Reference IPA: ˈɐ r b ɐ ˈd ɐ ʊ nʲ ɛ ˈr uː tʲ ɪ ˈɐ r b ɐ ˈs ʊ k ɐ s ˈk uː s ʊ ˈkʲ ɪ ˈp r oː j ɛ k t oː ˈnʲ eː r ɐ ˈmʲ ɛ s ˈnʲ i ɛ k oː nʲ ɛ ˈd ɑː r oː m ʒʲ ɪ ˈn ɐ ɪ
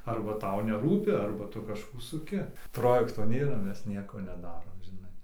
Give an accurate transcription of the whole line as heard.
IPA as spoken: ˈɐ r b ɐ ˈt ɐ ʊ nʲ ɛ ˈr uː pʲ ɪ ˈɐ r b ɐ ˈt ʊ k ɐ ʃ ˈk uː s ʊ ˈkʲ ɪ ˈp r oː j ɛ k t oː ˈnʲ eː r ɐ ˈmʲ ɛ s ˈnʲ i ɛ k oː nʲ ɛ ˈd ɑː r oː m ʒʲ ɪ ˈn ɐ ɪ